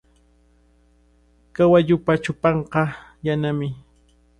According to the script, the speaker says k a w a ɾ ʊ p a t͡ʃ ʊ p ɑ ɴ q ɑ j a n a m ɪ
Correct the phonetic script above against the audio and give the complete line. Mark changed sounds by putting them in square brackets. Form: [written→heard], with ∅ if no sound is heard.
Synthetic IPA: k a w a [ɾ→ʎ] ʊ p a t͡ʃ ʊ p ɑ ɴ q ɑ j a n a m ɪ